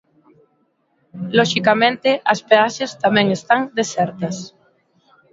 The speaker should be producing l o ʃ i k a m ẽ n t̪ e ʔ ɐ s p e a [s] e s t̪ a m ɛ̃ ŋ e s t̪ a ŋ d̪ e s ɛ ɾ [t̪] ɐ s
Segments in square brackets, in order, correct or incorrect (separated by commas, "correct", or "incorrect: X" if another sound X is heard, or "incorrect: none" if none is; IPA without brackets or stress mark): incorrect: ʃ, correct